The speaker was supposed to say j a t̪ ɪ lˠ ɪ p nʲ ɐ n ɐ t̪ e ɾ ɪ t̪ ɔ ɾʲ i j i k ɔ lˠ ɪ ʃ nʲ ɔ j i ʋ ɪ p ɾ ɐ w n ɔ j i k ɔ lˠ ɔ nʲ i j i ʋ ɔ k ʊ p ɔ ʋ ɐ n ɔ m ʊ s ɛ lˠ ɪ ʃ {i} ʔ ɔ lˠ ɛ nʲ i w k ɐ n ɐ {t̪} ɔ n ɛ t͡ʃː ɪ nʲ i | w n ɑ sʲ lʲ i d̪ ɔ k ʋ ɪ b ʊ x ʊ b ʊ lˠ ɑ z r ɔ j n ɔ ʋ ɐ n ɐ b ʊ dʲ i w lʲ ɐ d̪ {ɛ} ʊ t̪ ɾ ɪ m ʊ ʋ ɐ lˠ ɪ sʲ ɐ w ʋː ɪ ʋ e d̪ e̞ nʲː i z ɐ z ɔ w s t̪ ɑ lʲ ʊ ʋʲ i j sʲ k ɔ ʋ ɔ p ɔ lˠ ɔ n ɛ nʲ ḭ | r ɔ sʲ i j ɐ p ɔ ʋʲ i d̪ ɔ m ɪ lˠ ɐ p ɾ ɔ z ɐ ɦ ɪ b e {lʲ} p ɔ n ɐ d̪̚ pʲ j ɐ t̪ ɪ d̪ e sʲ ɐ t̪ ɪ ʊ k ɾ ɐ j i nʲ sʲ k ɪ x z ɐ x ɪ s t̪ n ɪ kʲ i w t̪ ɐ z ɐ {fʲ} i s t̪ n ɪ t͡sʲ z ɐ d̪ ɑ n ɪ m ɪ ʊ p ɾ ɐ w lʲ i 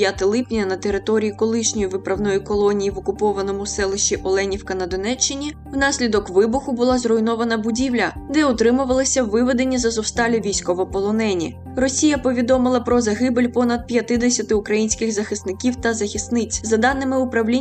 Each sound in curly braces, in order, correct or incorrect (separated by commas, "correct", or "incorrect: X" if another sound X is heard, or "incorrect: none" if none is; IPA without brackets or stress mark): correct, incorrect: d̪, correct, correct, incorrect: xʲ